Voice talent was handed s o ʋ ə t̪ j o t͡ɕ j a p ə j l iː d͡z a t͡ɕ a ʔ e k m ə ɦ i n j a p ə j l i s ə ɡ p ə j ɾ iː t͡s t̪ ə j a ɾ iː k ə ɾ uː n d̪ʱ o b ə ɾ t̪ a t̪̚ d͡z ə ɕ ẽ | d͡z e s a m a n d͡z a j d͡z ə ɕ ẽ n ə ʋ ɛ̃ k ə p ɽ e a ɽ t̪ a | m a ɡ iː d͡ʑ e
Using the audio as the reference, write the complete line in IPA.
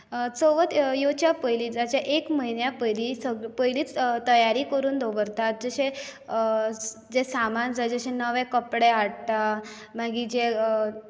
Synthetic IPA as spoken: t͡s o ʋ ə t̪ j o t͡ɕ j a p ə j l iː d͡z a t͡ɕ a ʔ e k m ə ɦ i n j a p ə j l i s ə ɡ p ə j l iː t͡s t̪ ə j a ɾ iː k ə ɾ uː n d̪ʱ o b ə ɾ t̪ a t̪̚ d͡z ə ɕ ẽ | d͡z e s a m a n d͡z a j d͡z ə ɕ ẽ n ə ʋ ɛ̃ k ə p ɽ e a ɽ t̪ a | m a ɡ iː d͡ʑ e